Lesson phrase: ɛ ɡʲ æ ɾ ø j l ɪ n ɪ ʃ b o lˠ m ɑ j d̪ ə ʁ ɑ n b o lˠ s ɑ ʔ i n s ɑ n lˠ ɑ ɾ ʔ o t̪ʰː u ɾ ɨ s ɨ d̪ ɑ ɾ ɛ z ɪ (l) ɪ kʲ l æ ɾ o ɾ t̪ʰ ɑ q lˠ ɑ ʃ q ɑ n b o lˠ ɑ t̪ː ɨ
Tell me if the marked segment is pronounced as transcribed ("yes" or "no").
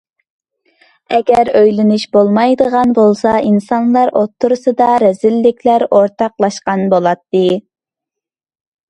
no